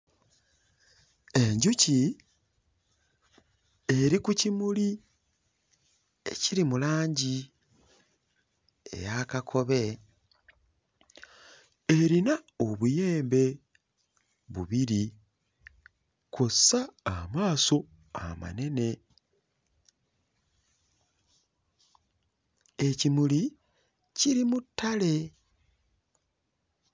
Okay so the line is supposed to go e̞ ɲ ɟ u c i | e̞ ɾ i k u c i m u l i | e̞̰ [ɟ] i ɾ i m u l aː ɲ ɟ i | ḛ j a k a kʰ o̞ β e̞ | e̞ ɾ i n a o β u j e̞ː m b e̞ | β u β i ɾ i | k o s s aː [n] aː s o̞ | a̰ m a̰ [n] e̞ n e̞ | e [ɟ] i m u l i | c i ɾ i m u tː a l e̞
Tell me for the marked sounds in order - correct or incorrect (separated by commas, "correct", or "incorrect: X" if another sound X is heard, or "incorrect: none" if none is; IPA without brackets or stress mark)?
incorrect: c, incorrect: m, correct, incorrect: c